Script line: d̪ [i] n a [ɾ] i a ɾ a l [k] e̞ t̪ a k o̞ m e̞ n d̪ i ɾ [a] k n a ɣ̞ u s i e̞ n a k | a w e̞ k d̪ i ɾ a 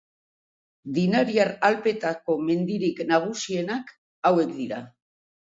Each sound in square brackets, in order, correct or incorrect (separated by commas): correct, correct, incorrect, incorrect